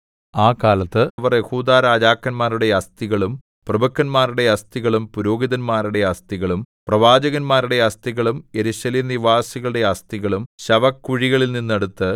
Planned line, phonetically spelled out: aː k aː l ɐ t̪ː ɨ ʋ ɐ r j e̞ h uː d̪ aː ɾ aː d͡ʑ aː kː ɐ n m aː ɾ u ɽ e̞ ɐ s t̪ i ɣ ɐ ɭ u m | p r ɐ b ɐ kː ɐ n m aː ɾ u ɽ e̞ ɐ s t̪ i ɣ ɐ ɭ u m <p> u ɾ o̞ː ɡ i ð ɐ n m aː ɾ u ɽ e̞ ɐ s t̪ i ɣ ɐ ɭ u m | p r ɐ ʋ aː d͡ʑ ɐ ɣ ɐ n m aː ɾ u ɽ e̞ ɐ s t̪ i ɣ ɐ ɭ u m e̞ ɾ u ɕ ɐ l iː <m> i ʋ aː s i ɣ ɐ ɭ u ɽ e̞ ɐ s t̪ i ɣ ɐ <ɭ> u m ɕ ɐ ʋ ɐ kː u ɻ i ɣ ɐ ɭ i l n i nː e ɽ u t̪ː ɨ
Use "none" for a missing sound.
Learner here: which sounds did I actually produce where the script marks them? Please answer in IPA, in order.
p, n, ɭ

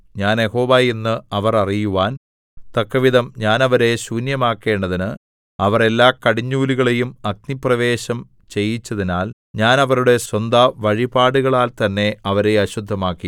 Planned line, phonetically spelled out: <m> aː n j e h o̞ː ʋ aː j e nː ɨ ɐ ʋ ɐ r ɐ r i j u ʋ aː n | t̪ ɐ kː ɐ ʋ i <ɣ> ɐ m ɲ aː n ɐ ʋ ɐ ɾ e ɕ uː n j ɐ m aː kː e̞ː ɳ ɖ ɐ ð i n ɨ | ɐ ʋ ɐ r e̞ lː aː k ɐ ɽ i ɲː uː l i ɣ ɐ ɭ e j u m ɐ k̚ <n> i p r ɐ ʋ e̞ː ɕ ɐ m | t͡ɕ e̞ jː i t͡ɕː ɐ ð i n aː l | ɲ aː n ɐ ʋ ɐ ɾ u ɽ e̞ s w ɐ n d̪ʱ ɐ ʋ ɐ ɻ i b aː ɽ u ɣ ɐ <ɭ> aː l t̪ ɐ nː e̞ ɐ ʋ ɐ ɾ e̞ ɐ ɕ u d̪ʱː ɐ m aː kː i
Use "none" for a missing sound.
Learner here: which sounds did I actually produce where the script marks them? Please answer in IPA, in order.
ɲ, ð, n, ɭ

